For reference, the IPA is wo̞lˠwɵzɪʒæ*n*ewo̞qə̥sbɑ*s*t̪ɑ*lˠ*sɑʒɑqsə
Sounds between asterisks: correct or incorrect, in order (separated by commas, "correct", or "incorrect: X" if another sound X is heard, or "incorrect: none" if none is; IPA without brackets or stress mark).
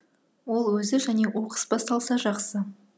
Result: correct, correct, correct